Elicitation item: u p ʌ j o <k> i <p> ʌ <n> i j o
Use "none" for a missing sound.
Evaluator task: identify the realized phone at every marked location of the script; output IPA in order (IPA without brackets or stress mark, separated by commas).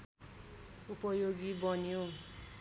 ɡ, b, n